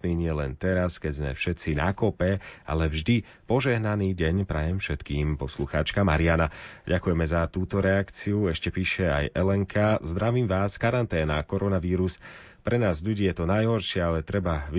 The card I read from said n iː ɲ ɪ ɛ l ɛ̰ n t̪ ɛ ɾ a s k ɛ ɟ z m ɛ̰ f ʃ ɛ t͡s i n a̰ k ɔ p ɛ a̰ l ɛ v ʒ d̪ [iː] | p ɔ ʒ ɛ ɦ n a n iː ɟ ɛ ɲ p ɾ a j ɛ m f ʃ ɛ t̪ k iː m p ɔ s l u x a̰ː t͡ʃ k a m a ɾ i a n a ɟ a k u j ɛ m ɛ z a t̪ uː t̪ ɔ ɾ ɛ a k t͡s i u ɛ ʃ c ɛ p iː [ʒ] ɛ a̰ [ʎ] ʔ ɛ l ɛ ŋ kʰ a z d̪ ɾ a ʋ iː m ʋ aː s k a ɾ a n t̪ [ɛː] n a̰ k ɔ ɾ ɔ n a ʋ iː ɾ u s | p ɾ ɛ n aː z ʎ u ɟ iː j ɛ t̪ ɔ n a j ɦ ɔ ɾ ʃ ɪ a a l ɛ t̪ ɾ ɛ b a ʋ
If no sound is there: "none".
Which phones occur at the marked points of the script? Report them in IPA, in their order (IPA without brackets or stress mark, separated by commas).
i, ʃ, j, ɛː